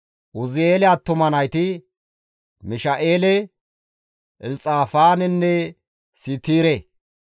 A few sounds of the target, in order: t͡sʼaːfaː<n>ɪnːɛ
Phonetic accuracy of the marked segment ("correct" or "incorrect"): correct